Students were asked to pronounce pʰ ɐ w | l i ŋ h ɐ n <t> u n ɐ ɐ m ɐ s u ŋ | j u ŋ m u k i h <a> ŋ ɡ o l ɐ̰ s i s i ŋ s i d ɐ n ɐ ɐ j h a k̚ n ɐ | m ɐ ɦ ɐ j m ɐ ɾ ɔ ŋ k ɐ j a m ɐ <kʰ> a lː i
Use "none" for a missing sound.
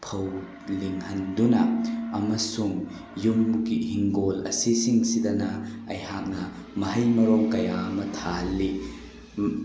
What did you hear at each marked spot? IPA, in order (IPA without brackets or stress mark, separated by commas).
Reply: d, i, tʰ